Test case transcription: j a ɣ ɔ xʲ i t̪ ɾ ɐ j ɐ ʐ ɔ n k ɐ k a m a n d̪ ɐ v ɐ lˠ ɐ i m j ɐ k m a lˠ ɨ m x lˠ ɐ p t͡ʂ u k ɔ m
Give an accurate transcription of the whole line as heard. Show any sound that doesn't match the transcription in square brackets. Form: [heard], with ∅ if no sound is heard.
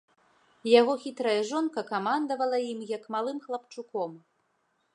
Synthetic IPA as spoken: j a ɣ ɔ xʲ i t̪ ɾ ɐ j ɐ ʐ ɔ n k ɐ k a m a n d̪ ɐ v ɐ lˠ ɐ i m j ɐ k m a lˠ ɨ m x lˠ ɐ p t͡ʂ u k ɔ m

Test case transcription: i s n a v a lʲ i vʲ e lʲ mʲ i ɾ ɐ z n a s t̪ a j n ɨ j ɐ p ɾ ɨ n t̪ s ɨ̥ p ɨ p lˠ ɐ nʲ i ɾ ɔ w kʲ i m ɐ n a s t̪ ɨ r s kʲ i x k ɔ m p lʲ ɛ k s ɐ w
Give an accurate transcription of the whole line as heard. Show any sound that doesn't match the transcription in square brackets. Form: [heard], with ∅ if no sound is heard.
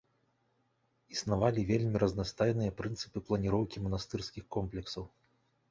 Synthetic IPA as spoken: i s n a v a lʲ i vʲ e lʲ mʲ i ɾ ɐ z n a s t̪ a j n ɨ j ɐ p ɾ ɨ n t̪ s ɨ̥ p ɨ p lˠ ɐ nʲ i ɾ ɔ w kʲ i m ɐ n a s t̪ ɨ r s kʲ i x k ɔ m p lʲ ɛ k s ɐ w

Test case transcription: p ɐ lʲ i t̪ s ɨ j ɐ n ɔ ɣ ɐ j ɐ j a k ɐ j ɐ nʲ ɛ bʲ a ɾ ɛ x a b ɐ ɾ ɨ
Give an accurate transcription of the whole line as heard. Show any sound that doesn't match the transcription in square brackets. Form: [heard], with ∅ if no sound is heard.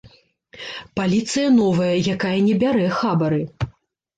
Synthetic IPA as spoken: p [a] lʲ i t̪ s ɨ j ɐ n ɔ [v] ɐ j ɐ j a k [a] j ɐ nʲ ɛ bʲ a ɾ ɛ x a b ɐ ɾ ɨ

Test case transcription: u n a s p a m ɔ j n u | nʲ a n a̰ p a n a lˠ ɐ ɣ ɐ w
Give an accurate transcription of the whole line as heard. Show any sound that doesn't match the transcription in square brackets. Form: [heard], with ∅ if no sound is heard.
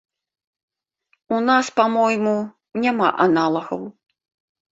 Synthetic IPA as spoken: u n a s p a m ɔ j [m] u | nʲ a [m] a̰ [ʔ] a n a lˠ ɐ ɣ ɐ w

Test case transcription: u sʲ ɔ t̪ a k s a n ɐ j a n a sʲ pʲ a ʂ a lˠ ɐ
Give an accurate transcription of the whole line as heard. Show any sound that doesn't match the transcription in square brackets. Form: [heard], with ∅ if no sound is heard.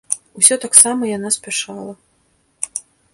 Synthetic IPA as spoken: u sʲ ɔ t̪ a k s a [m] ɐ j a n a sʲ pʲ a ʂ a lˠ ɐ

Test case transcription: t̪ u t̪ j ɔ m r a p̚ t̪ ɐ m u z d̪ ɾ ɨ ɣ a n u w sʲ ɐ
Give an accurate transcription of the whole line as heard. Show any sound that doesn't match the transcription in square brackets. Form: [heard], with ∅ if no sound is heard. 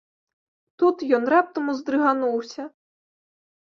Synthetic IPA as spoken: t̪ u t̪ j ɔ [n] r a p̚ t̪ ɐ m u z d̪ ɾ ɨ ɣ a n u w sʲ ɐ

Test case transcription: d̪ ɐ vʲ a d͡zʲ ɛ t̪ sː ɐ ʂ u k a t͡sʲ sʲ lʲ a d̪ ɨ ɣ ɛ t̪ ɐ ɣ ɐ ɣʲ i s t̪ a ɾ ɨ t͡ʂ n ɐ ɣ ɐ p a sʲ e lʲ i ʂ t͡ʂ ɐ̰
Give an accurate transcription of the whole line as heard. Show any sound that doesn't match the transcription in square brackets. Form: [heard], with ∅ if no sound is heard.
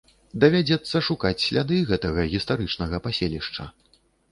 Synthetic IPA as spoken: d̪ ɐ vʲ a d͡zʲ ɛ t̪ sː ɐ ʂ u k a t͡sʲ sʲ lʲ a d̪ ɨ ɣ ɛ t̪ ɐ ɣ ɐ ɣʲ i s t̪ a ɾ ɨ t͡ʂ n ɐ ɣ ɐ p a sʲ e lʲ i ʂ t͡ʂ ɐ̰

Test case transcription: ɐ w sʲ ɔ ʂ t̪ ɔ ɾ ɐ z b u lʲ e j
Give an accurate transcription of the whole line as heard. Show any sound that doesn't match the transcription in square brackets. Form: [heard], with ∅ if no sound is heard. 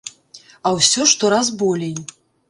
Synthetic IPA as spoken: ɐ w sʲ ɔ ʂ t̪ ɔ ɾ [a] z b [ɔ] lʲ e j

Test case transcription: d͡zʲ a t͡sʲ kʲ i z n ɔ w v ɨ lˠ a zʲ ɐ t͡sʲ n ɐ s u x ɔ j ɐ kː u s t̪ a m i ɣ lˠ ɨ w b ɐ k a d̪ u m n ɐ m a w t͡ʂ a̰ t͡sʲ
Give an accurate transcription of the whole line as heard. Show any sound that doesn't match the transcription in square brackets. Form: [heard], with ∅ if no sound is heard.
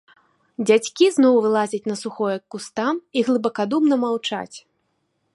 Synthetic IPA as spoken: d͡zʲ a t͡sʲ kʲ i z n ɔ w v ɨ lˠ a zʲ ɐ t͡sʲ n ɐ s u x ɔ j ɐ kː u s t̪ a m i ɣ lˠ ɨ [∅] b ɐ k a d̪ u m n ɐ m a w t͡ʂ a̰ t͡sʲ

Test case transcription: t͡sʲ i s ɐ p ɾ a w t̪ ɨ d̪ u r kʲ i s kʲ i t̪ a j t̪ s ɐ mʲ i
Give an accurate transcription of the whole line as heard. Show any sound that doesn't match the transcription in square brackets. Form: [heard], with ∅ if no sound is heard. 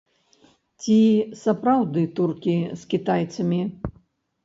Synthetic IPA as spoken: t͡sʲ i s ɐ p ɾ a w [d̪] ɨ [t̪] u r kʲ i s kʲ i t̪ a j t̪ s ɐ mʲ i

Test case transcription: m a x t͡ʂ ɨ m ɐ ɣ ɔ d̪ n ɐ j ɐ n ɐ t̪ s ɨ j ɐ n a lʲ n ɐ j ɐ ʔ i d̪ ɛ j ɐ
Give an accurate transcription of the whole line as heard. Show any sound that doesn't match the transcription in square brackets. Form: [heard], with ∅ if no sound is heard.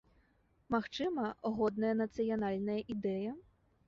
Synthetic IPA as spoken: m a x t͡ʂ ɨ m ɐ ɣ ɔ d̪ n ɐ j ɐ n ɐ t̪ s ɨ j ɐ n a lʲ n ɐ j ɐ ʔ i d̪ ɛ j ɐ

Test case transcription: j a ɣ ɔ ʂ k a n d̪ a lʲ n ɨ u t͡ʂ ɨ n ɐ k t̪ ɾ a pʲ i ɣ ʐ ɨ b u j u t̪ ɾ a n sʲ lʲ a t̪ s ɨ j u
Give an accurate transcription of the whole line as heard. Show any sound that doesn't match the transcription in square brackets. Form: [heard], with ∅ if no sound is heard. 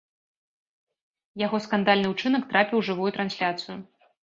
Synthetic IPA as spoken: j a ɣ ɔ [s] k a n d̪ a lʲ n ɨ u t͡ʂ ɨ n ɐ k t̪ ɾ a pʲ i [w] ʐ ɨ [v] u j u t̪ ɾ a n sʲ lʲ a t̪ s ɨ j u

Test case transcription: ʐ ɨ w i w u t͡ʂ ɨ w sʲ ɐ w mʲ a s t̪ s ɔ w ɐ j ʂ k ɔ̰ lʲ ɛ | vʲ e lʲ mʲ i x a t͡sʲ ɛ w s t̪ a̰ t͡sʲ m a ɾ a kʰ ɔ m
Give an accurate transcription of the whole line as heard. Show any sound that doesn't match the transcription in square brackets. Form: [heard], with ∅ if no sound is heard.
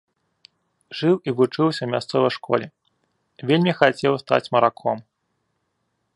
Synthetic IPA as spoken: ʐ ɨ w i [v] u t͡ʂ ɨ w sʲ ɐ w mʲ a s t̪ s ɔ [v] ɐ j ʂ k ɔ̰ lʲ ɛ | vʲ e lʲ mʲ i x a t͡sʲ ɛ w s t̪ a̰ t͡sʲ m [ɐ] ɾ a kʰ ɔ m

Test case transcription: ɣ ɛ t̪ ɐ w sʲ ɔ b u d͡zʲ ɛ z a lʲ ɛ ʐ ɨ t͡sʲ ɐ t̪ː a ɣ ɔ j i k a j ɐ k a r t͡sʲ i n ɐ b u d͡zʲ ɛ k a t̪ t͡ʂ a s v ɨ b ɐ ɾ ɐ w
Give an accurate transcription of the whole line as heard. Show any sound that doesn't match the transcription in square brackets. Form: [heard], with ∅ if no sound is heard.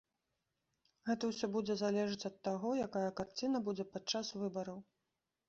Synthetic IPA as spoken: ɣ ɛ t̪ ɐ w sʲ ɔ b u d͡zʲ ɛ z a lʲ ɛ ʐ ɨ t͡sʲ ɐ t̪ː a ɣ ɔ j [a] k a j ɐ k a r t͡sʲ i n ɐ b u d͡zʲ ɛ [p] a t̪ t͡ʂ a s v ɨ b ɐ ɾ ɐ w

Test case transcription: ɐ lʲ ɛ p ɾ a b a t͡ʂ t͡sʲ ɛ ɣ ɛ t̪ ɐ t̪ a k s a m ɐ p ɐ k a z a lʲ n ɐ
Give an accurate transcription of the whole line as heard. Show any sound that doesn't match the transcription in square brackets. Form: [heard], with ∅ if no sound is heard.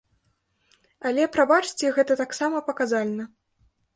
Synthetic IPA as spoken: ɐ lʲ ɛ p ɾ a b a t͡ʂ t͡sʲ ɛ ɣ ɛ t̪ ɐ t̪ a k s a m ɐ p ɐ k a z a lʲ n ɐ

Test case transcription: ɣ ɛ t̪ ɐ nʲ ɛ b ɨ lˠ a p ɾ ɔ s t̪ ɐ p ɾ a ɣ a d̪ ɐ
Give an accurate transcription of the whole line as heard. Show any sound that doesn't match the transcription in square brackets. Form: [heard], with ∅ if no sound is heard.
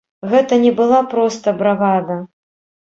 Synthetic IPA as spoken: ɣ ɛ t̪ ɐ nʲ ɛ b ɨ lˠ a p ɾ ɔ s t̪ ɐ [b] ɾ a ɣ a d̪ ɐ

